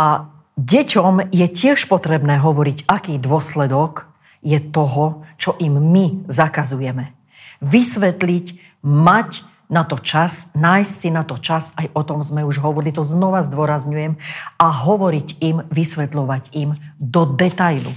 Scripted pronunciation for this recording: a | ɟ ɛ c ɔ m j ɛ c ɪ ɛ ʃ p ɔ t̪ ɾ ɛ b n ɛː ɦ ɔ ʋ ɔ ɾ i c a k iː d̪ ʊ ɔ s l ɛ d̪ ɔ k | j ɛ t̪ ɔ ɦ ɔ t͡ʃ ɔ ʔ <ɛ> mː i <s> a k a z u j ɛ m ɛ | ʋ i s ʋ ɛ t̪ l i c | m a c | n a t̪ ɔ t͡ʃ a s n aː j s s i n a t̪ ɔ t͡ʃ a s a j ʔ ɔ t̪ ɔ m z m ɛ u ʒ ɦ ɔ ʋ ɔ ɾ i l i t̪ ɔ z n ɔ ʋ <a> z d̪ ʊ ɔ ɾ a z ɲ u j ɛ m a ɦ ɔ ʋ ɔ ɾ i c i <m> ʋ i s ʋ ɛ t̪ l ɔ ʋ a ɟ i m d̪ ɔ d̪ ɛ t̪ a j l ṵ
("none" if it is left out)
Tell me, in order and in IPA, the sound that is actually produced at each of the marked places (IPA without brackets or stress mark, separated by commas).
i, z, a, m